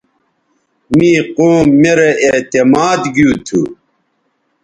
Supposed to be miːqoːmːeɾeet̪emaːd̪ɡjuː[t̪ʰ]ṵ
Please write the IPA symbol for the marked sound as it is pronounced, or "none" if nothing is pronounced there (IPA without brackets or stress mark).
t̪ʰ